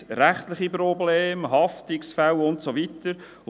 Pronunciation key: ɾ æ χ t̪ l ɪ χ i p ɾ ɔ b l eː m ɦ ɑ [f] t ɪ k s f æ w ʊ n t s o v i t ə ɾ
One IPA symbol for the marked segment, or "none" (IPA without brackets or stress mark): f